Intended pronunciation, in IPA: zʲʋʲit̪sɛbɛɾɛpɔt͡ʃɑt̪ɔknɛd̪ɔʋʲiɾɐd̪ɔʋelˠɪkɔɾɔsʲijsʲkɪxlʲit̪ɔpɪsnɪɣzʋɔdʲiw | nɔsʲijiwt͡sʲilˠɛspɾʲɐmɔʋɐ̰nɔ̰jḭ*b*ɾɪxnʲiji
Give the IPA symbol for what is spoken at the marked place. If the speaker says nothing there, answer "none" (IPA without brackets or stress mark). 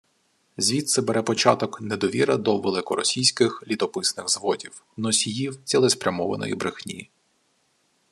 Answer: b